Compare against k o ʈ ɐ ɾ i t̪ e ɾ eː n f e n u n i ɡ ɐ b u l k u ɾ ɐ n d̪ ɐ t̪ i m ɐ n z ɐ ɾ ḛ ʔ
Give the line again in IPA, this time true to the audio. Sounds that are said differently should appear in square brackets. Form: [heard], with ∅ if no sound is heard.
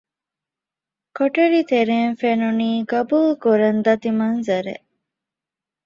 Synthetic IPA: k o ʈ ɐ ɾ i t̪ e ɾ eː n f e n u n [iː] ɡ ɐ b u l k u ɾ ɐ n d̪ ɐ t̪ i m ɐ n z ɐ ɾ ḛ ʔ